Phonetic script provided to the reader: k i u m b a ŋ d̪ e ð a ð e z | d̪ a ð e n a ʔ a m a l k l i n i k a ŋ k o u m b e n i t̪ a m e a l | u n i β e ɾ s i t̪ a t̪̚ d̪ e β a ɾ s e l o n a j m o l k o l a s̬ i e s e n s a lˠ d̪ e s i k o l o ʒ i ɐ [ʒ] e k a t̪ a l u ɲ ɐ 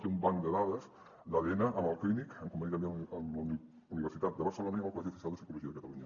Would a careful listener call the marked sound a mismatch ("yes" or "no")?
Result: yes